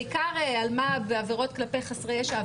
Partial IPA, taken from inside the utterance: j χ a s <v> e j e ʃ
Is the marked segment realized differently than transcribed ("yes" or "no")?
yes